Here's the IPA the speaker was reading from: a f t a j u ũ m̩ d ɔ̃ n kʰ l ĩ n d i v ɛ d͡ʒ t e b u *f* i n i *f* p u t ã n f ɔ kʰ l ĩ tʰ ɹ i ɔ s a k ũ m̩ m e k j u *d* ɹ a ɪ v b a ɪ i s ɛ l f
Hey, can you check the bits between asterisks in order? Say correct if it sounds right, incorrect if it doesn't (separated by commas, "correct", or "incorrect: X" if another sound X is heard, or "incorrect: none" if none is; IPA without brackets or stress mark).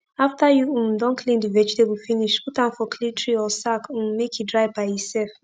correct, incorrect: ʃ, correct